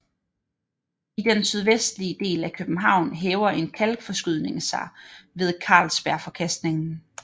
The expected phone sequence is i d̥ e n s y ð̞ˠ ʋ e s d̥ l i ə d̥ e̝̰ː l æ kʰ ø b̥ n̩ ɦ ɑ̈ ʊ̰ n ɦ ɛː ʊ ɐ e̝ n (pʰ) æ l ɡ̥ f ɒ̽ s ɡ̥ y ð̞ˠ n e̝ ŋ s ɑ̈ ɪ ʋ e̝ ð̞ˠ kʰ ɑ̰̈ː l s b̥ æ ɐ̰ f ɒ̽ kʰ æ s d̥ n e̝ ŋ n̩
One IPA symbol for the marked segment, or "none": kʰ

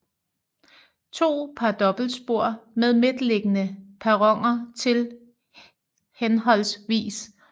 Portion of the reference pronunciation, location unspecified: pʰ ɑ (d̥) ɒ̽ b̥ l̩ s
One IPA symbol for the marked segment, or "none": d̥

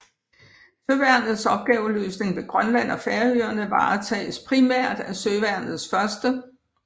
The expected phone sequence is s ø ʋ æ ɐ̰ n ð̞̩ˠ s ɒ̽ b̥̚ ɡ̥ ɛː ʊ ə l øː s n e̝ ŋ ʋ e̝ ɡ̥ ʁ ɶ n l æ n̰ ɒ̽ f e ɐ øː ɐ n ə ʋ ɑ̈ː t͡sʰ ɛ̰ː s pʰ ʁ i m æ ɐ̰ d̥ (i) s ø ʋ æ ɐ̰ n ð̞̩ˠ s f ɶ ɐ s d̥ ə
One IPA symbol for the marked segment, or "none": æ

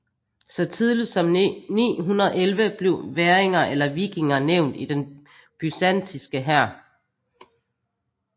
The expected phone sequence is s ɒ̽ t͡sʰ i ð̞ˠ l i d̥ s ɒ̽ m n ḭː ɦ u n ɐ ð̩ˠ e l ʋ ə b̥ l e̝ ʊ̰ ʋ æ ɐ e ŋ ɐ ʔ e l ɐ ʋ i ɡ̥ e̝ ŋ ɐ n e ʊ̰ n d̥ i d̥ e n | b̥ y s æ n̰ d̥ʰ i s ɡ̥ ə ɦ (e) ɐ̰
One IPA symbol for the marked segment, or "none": æ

